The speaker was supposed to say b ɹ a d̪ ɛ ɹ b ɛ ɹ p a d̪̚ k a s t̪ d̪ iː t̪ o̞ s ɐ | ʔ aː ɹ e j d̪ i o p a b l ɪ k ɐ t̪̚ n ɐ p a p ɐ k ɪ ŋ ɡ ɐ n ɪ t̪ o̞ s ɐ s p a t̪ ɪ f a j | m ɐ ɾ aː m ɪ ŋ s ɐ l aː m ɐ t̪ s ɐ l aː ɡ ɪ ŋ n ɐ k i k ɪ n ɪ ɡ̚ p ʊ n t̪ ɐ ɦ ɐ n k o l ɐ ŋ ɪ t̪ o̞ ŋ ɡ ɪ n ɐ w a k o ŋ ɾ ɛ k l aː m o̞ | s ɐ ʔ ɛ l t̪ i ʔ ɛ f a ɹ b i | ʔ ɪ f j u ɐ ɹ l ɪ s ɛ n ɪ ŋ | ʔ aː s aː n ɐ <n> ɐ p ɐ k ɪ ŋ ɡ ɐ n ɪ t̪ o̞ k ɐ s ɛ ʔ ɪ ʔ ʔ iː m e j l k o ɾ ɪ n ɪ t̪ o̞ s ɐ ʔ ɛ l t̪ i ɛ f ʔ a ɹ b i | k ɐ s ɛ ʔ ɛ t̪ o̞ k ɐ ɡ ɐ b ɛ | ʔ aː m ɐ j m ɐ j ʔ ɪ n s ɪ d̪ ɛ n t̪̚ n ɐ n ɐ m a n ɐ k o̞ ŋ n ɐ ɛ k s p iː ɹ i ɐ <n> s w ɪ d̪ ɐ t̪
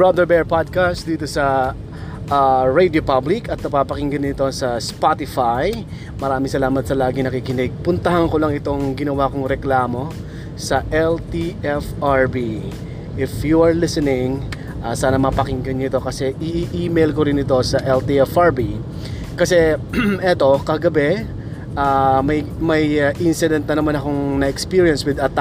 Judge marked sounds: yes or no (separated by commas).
no, yes